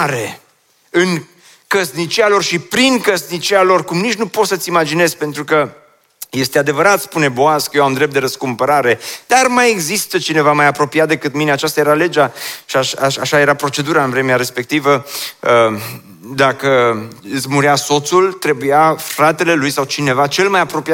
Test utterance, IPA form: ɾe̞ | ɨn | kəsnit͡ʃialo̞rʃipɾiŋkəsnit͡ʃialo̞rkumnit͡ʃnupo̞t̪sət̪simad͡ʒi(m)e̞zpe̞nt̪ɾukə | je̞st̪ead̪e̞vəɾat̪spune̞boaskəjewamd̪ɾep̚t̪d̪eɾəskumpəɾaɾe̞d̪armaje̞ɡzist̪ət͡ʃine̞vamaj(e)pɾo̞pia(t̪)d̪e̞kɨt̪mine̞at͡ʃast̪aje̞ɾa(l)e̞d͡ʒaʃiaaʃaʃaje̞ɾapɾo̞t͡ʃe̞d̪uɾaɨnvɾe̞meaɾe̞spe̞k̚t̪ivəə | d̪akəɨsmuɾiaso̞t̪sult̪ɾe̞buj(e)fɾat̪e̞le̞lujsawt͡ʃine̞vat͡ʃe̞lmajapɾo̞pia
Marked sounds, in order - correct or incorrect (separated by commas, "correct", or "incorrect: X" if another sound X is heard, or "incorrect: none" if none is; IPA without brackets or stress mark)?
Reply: incorrect: n, incorrect: a, correct, correct, incorrect: a